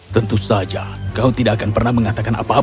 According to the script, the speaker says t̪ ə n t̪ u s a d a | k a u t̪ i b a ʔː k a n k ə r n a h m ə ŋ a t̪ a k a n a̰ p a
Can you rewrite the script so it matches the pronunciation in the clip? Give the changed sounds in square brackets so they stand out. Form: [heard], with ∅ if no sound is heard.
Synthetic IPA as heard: t̪ ə n t̪ u s a [d͡ʒ] a | k a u t̪ i [d] a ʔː k a n [p] ə r n a h m ə ŋ a t̪ a k a n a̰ p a